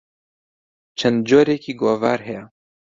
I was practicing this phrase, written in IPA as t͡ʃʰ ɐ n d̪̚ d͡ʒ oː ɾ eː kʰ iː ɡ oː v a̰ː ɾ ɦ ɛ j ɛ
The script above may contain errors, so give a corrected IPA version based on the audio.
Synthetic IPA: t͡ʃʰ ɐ n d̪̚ d͡ʒ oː ɾ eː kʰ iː ɡ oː v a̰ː ɾ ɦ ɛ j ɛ